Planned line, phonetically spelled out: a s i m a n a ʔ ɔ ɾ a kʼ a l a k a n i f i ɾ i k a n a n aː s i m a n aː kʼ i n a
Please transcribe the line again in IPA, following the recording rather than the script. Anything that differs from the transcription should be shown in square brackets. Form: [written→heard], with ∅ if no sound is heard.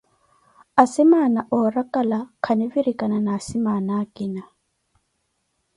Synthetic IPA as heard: a s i m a n a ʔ ɔ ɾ a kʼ a l a [k→kʰ] a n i [f→v] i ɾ i k a n a n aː s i m a n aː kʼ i n a